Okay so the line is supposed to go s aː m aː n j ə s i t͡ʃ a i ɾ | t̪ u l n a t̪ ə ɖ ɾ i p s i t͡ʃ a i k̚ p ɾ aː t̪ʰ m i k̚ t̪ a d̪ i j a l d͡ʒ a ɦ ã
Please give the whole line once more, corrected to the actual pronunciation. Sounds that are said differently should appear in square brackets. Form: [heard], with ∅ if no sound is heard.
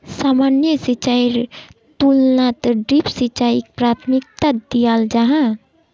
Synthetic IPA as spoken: s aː m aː n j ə s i t͡ʃ a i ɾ | t̪ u l n a t̪ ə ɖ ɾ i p s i t͡ʃ a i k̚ p ɾ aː t̪ʰ m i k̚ t̪ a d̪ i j a l d͡ʒ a ɦ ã